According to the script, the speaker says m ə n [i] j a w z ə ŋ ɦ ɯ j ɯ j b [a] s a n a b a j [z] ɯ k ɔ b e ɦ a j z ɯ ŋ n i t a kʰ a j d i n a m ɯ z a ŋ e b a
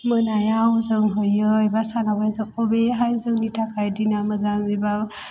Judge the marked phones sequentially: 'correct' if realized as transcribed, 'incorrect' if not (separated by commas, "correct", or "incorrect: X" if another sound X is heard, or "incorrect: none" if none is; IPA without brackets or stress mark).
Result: incorrect: a, correct, correct